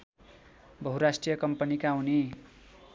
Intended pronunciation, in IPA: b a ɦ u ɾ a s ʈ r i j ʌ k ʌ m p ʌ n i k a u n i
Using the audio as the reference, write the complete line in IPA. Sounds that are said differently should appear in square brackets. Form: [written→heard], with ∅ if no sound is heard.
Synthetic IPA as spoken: b [a→ʌ] ɦ u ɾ a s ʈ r i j ʌ k ʌ m p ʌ n i k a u n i